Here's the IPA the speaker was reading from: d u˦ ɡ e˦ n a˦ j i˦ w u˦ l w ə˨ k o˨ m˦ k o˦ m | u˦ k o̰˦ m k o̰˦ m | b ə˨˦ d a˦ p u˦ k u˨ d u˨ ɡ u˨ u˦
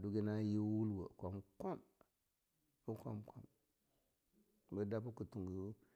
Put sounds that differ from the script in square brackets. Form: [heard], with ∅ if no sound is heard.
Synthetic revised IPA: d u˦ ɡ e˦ n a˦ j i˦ w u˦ l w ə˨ k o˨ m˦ k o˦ m | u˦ k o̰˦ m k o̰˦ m | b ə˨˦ d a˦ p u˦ k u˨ [t] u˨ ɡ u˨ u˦